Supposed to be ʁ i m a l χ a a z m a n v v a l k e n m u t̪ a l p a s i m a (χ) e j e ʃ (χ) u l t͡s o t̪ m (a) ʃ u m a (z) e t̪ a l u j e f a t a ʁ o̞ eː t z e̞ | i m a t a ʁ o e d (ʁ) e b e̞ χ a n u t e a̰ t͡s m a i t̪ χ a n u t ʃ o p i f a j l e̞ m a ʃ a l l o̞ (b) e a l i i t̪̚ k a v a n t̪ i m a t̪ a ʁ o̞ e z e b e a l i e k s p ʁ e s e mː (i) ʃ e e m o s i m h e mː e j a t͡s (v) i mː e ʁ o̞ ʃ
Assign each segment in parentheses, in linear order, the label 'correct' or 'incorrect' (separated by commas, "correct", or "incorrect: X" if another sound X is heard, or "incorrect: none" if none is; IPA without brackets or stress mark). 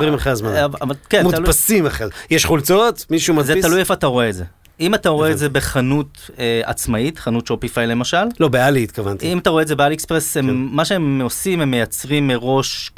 correct, correct, incorrect: i, correct, incorrect: z, correct, incorrect: a, incorrect: ʁ